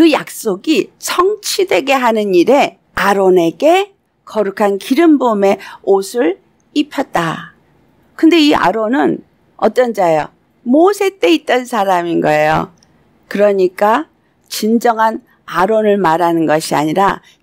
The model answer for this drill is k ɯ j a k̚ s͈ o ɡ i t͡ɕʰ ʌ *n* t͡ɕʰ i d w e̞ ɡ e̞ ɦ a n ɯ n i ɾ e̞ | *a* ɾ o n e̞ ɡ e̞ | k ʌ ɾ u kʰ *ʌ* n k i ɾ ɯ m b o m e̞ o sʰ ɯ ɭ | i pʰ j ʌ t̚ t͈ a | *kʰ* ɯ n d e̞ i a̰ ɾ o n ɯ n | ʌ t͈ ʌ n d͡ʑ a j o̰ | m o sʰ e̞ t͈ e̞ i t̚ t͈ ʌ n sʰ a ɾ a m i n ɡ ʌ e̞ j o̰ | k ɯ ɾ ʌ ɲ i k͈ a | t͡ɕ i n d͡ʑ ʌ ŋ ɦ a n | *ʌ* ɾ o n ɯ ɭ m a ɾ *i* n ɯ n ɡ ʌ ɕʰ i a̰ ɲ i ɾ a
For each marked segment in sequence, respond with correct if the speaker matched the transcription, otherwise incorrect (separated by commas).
incorrect, correct, incorrect, incorrect, incorrect, incorrect